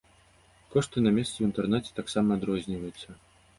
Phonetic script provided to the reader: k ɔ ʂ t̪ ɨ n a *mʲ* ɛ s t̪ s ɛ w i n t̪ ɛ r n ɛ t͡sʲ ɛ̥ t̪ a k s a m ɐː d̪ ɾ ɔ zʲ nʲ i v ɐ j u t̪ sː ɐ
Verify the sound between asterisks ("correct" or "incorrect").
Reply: correct